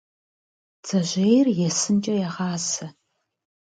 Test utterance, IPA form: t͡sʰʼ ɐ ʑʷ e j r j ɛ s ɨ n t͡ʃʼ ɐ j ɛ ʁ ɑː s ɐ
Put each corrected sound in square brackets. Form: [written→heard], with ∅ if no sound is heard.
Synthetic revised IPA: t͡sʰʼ ɐ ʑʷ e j r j ɛ s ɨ n t͡ʃʼ ɐ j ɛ ʁ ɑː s ɐ

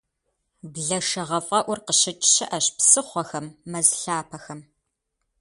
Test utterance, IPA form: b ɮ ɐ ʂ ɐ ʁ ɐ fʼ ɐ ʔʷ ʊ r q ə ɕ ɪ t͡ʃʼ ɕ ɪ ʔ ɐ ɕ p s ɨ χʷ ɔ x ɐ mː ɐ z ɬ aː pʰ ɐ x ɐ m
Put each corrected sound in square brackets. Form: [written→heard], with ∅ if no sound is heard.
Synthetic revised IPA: b ɮ ɐ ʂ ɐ ʁ ɐ fʼ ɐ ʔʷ ʊ r q ə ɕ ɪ t͡ʃʼ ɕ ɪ ʔ ɐ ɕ p s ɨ χʷ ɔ x ɐ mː ɐ z ɬ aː pʰ ɐ x ɐ m

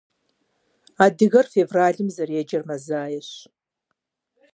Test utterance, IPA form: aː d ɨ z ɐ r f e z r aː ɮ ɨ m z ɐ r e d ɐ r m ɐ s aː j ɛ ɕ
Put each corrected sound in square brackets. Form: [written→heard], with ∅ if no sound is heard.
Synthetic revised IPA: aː d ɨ [z→ɣ] ɐ r f e [z→v] r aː ɮ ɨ m z ɐ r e [d→d͡ʒ] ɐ r m ɐ [s→z] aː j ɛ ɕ

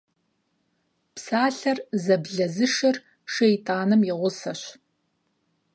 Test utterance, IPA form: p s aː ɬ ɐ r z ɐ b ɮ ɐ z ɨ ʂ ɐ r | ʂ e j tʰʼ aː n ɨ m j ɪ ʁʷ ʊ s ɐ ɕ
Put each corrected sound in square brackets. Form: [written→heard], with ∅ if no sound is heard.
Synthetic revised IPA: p s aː ɬ ɐ r z ɐ b ɮ ɐ z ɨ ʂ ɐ r | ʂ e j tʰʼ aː n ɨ m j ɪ ʁʷ ʊ s ɐ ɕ

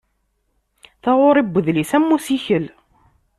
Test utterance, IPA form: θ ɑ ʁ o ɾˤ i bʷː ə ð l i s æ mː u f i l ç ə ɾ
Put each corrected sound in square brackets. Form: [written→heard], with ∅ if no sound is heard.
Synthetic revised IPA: θ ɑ ʁ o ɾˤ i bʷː ə ð l i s æ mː u [f→s] i [l→∅] ç ə [ɾ→l]

